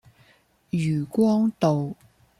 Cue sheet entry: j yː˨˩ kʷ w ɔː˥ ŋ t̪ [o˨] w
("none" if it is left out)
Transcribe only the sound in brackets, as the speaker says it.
o˨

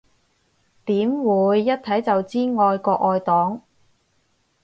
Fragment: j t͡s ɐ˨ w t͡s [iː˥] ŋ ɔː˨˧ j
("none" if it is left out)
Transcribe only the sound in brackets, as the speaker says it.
iː˥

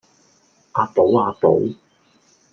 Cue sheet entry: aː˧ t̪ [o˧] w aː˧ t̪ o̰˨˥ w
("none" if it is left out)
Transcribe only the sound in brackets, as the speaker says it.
o˨˥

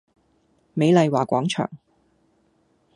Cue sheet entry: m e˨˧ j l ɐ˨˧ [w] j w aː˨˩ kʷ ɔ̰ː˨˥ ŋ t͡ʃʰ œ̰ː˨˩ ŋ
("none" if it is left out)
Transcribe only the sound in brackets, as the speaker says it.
none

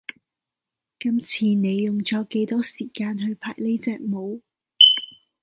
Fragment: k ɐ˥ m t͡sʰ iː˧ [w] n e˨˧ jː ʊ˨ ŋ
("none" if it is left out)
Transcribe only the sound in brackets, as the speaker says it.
none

